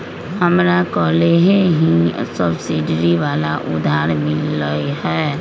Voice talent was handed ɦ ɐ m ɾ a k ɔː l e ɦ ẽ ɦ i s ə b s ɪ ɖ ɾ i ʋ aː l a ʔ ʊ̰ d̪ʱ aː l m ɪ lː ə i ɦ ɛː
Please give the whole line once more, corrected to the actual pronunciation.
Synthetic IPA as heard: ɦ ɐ m ɾ a k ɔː l e ɦ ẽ ɦ i s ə b s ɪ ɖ ɾ i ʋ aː l a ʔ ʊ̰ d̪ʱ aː ɾ m ɪ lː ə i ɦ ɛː